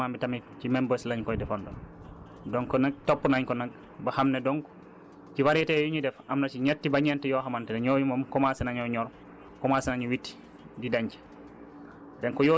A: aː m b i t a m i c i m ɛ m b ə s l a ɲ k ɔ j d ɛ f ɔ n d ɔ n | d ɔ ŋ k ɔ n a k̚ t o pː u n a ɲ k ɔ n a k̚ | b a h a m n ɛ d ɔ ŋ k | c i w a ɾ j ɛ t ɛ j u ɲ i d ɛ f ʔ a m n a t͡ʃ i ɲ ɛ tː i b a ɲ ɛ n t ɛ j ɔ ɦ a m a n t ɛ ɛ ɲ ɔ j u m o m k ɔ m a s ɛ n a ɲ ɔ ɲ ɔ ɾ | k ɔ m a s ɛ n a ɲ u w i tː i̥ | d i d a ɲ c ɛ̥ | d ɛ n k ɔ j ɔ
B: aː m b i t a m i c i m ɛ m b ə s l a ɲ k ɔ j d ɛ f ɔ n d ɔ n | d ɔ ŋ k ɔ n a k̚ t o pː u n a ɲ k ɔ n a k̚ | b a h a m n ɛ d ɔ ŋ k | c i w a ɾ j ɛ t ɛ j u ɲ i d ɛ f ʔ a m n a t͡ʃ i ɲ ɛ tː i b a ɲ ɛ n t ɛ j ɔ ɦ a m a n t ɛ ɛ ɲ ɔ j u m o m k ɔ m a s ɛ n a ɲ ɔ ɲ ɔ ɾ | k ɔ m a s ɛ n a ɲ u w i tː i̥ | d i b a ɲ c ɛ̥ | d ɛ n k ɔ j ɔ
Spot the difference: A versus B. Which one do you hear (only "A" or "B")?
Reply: A